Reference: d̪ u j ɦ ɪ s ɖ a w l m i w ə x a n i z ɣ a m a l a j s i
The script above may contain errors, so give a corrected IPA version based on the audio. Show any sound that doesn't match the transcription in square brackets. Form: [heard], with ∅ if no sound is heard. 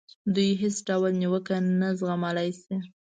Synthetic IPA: d̪ u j ɦ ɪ s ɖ a w l [n] i w ə [k] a n [a] z ɣ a m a l a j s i